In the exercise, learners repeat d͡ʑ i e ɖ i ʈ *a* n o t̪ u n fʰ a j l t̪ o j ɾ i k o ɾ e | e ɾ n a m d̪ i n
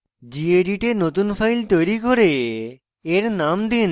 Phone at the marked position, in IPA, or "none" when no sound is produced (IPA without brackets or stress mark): e